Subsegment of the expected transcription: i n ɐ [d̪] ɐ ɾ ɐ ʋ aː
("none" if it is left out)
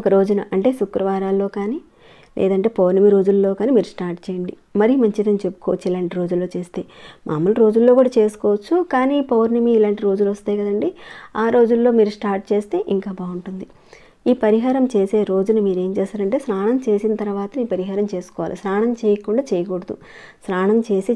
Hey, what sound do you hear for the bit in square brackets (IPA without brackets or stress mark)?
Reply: t̪